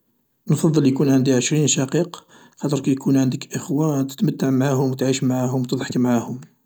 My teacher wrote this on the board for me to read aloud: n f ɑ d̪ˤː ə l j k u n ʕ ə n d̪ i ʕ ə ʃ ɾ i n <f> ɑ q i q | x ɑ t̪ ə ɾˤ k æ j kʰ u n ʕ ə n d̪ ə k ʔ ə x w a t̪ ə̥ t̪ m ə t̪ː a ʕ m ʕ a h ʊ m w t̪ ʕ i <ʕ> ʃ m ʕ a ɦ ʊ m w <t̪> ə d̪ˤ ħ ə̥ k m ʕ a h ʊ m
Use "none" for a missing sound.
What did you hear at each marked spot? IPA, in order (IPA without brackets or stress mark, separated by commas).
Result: ʃ, none, t̪